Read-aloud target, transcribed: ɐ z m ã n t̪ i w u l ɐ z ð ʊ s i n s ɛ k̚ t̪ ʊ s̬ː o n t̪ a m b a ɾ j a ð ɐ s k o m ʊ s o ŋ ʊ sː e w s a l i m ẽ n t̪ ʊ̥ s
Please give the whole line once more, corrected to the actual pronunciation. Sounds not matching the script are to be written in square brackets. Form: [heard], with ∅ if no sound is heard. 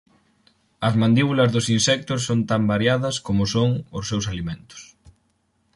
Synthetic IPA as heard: ɐ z m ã n [d̪] i [β] u l ɐ z ð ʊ s i n s ɛ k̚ t̪ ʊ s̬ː o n t̪ a m b a ɾ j a ð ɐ s k o m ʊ s o ŋ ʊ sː e w s a l i m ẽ n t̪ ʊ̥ s

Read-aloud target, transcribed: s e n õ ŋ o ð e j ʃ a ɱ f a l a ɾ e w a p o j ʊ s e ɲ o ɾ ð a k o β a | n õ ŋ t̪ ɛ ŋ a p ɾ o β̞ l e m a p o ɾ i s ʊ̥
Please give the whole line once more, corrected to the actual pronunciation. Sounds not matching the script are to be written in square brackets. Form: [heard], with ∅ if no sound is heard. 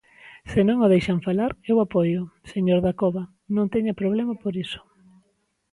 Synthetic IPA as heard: s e n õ ŋ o ð e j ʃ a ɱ f a l a ɾ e w a p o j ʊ s e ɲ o ɾ ð a k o β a | n õ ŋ t̪ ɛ [ɲ] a p ɾ o β̞ l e m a p o ɾ i s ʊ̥

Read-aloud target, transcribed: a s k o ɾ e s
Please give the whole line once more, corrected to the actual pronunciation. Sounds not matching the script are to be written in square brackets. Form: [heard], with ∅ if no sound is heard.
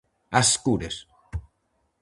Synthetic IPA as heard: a s k [u] ɾ e s

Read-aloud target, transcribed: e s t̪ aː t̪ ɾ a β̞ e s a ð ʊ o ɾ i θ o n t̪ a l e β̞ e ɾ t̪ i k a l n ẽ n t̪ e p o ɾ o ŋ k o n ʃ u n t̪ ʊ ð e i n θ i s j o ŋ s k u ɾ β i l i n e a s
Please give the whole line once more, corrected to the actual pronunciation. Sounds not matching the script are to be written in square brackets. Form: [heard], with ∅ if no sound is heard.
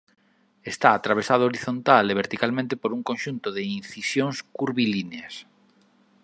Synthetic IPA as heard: e s t̪ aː t̪ ɾ a β̞ e s a ð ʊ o ɾ i θ o n t̪ a l e β̞ e ɾ t̪ i k a l [m] ẽ n t̪ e p o ɾ [u] ŋ k o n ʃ u n t̪ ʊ ð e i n θ i s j o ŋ s k u ɾ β i l i n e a s

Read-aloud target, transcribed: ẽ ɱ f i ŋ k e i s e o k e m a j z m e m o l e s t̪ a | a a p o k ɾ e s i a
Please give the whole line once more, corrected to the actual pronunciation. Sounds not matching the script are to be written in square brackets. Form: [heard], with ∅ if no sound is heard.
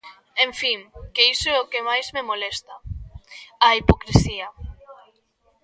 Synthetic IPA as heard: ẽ ɱ f i ŋ k e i s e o k e m a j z m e m o l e s t̪ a | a [i] p o k ɾ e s i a

